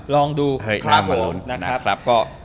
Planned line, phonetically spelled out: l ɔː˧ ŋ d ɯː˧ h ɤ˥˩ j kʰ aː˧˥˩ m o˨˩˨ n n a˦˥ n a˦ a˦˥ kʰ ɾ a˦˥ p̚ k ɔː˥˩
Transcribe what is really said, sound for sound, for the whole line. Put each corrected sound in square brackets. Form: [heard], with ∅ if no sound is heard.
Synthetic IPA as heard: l ɔː˧ ŋ d [uː˧] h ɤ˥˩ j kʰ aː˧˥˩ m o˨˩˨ n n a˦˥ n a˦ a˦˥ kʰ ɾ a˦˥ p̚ k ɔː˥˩